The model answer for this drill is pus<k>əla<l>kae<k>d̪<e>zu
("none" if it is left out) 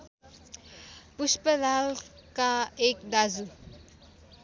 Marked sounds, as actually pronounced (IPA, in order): p, l, k, a

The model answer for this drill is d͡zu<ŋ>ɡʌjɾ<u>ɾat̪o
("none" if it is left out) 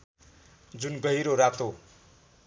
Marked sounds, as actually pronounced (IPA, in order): n, o

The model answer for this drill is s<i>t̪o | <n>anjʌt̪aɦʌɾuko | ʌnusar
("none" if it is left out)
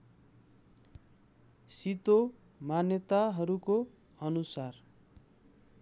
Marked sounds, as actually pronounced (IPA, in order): i, m

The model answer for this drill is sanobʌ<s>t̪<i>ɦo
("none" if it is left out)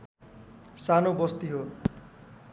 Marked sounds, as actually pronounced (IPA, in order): s, i

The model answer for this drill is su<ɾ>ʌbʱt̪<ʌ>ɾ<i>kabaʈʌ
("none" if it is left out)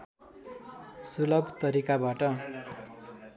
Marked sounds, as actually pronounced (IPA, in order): l, ʌ, i

